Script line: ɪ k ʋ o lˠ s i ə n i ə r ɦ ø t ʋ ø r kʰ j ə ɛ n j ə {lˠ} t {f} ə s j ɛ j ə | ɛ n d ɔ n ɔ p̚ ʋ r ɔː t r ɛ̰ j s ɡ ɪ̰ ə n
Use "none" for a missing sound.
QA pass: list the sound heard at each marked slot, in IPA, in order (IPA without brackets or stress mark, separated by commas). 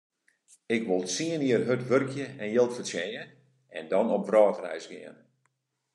lˠ, f